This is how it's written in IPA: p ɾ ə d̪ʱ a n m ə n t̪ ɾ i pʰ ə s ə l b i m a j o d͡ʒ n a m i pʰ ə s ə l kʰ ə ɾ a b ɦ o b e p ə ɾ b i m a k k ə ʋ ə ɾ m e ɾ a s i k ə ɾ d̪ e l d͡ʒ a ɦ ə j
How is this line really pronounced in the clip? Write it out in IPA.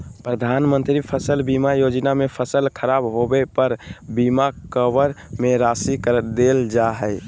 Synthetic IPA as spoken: p ɾ ə d̪ʱ a n m ə n t̪ ɾ i pʰ ə s ə l b i m a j o d͡ʒ n a m e pʰ ə s ə l kʰ ə ɾ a b ɦ o b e p ə ɾ b i m a k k ə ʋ ə ɾ m e ɾ a s i k ə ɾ d̪ e l d͡ʒ a ɦ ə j

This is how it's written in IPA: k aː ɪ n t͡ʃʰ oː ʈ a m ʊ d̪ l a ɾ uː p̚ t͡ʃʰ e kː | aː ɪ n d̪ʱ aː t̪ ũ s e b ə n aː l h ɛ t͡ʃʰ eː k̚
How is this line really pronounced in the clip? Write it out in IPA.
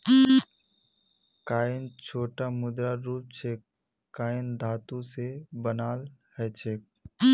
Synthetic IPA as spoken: k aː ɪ n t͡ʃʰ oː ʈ a m ʊ d̪ ɾ a ɾ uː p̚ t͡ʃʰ e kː | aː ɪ n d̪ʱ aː t̪ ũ s e b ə n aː l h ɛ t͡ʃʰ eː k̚

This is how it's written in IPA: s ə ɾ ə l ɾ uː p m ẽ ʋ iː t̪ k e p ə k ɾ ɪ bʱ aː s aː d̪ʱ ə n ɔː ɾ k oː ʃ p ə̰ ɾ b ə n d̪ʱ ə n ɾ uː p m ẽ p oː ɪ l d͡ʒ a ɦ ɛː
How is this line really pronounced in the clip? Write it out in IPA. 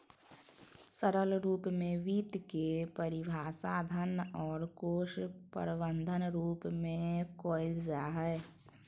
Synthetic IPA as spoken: s ə ɾ ə l ɾ uː p m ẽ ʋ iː t̪ k e p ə ɾ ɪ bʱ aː s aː d̪ʱ ə n ɔː ɾ k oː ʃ p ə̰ ɾ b ə n d̪ʱ ə n ɾ uː p m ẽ k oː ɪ l d͡ʒ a ɦ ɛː

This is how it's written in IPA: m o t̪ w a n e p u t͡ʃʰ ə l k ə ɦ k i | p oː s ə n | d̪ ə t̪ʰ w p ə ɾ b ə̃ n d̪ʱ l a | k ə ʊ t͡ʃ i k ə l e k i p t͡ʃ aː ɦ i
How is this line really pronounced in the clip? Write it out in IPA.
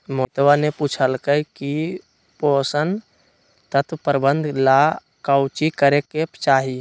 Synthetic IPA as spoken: m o t̪ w a n e p u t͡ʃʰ ə l k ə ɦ k i | p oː s ə n | t̪ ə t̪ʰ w p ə ɾ b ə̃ n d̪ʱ l a | k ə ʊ t͡ʃ i k ə ɾ e k e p t͡ʃ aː ɦ i

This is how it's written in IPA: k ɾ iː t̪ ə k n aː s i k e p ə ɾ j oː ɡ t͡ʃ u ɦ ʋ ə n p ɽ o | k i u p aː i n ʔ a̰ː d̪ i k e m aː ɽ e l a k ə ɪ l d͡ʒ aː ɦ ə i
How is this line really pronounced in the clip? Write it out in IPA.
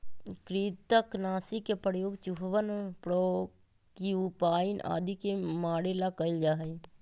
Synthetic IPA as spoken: k ɾ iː t̪ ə k n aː s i k e p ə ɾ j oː ɡ t͡ʃ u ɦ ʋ ə n p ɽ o | k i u p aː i n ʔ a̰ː d̪ i k e m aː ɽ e l a k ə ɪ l d͡ʒ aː ɦ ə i

